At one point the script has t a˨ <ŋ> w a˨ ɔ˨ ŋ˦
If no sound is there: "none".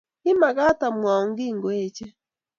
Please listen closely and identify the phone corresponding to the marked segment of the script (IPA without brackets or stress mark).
m